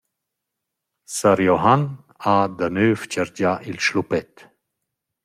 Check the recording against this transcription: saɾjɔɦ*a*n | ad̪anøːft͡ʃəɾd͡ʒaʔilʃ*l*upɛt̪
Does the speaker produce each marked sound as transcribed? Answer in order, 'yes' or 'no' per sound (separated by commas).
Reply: yes, yes